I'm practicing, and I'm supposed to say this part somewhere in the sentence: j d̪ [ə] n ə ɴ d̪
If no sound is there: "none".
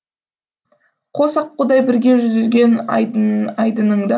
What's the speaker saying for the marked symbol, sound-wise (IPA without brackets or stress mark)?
ə